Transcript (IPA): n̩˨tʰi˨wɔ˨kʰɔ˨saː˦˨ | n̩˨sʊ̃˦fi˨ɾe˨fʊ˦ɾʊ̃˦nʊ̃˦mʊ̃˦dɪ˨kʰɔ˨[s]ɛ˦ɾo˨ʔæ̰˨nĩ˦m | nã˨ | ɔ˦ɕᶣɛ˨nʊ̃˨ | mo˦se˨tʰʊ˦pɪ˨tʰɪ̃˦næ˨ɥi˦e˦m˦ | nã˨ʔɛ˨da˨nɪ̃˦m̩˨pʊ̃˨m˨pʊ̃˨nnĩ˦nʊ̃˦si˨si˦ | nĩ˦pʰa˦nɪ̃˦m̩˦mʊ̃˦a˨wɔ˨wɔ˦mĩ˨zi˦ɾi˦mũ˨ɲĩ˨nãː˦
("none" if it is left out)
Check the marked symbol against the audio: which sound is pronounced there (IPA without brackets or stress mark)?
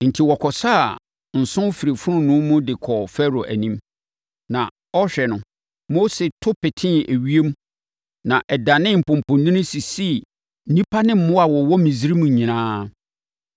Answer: f